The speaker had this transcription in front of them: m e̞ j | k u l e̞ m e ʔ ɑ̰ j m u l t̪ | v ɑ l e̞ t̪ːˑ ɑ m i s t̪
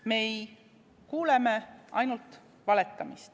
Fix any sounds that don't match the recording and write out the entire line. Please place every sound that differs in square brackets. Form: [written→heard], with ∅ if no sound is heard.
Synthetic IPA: m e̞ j | k [u→uː] l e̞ m e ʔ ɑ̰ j [m→n] u l t̪ | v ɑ l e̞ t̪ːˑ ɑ m i s t̪